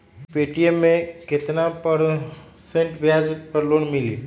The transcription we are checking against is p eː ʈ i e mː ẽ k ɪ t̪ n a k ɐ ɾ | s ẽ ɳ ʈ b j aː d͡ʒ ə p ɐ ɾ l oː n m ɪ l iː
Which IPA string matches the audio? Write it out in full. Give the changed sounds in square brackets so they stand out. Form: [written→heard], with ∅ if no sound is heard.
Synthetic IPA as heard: p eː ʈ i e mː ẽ k ɪ t̪ n a [k→p] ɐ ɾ | s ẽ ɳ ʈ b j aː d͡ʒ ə p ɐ ɾ l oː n m ɪ l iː